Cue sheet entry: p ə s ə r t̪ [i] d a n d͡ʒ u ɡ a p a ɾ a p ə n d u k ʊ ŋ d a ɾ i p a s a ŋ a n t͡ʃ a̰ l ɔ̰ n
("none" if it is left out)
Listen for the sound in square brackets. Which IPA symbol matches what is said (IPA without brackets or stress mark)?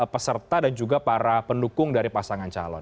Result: a